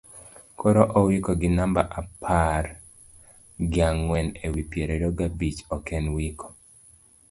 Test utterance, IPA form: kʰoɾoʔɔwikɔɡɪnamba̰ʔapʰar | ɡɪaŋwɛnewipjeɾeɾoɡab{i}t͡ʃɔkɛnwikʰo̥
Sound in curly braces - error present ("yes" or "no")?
no